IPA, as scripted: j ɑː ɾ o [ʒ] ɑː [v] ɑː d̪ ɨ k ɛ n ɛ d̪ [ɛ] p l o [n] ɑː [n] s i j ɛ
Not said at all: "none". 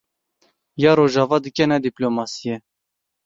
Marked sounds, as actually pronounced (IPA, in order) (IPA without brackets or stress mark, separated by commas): ʒ, v, i, m, none